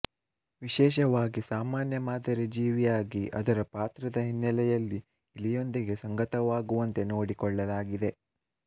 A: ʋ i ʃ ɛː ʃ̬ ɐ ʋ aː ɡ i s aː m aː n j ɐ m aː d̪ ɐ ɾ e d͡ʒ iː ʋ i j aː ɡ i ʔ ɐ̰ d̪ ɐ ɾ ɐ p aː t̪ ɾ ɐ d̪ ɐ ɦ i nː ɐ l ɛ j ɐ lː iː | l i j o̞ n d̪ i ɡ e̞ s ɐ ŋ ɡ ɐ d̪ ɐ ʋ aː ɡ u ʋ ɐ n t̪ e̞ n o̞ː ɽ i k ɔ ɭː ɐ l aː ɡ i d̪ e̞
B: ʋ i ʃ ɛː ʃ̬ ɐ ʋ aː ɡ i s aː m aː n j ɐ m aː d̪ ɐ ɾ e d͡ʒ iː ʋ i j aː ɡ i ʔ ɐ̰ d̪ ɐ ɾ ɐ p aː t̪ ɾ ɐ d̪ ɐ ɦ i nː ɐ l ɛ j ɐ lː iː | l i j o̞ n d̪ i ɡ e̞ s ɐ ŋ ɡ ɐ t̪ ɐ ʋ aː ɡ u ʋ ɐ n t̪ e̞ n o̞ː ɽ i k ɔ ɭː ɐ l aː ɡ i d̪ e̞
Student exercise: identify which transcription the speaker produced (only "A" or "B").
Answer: B